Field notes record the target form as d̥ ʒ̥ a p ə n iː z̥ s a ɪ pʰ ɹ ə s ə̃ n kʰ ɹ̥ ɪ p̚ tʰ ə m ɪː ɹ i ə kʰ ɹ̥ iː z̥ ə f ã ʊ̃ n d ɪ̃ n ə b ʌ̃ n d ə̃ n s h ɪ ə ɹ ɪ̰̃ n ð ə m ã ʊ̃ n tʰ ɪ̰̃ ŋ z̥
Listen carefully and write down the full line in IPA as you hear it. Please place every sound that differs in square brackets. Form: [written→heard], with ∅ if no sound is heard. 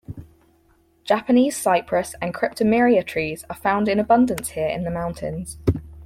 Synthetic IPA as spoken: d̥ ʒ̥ a p ə n iː z̥ s a ɪ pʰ ɹ ə s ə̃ n kʰ ɹ̥ ɪ p̚ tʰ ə m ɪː ɹ i ə [kʰ→tʰ] ɹ̥ iː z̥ ə f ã ʊ̃ n d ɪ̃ n ə b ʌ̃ n d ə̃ n s h ɪ ə ɹ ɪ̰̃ n ð ə m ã ʊ̃ n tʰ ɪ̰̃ [ŋ→n] z̥